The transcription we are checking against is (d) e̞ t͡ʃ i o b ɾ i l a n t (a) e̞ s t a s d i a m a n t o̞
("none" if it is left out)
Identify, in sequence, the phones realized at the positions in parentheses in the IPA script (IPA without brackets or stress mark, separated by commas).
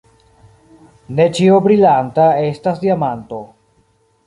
n, a